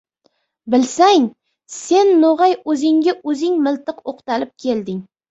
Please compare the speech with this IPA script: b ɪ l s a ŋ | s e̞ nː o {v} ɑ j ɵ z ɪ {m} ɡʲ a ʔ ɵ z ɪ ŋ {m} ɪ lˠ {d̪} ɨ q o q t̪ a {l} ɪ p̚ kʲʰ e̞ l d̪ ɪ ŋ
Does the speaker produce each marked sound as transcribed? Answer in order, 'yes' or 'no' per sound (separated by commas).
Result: no, no, yes, no, yes